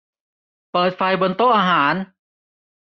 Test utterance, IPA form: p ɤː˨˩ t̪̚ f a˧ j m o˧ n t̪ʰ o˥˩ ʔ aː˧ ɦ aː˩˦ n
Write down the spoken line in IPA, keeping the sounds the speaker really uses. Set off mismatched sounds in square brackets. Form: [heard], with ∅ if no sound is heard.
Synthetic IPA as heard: p ɤː˨˩ t̪̚ f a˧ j [b] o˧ n [t̪] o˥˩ ʔ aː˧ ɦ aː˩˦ n